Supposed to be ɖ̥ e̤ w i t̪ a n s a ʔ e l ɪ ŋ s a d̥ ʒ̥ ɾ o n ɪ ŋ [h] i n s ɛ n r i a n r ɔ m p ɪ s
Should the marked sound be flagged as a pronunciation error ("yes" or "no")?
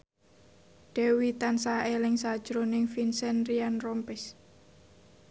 yes